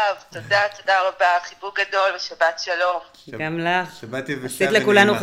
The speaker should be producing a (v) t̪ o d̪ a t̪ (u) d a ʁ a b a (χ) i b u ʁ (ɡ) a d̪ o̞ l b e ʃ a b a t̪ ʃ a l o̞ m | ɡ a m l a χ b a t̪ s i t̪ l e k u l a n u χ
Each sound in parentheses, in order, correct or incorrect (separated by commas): correct, incorrect, correct, correct